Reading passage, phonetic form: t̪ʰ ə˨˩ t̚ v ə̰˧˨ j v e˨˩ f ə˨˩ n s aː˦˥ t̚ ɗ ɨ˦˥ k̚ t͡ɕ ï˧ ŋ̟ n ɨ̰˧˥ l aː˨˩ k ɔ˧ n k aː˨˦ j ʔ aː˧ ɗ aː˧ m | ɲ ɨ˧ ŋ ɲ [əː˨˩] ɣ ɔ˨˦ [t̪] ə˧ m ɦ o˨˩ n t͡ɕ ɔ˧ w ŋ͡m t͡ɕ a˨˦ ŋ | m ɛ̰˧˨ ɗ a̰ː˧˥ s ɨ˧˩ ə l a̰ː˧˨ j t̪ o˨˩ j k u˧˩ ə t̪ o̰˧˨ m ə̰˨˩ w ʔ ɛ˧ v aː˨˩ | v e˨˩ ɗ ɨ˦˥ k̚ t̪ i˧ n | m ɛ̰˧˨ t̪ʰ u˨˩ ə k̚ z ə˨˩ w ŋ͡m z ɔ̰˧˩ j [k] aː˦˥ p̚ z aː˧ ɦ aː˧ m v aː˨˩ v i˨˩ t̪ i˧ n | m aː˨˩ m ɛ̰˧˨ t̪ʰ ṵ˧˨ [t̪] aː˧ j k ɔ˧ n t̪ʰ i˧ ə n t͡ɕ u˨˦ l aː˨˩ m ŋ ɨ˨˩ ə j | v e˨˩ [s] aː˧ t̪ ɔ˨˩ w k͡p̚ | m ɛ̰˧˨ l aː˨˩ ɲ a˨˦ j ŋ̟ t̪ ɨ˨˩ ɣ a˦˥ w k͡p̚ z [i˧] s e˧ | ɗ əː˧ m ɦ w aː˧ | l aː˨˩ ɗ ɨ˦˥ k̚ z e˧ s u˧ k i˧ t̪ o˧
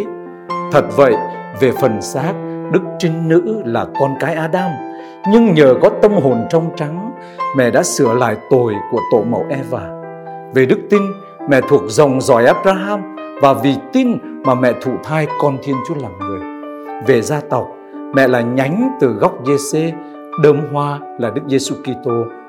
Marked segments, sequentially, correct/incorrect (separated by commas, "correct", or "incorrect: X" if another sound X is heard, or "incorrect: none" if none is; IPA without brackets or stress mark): correct, correct, incorrect: ʔ, incorrect: t̪ʰ, incorrect: z, incorrect: e˧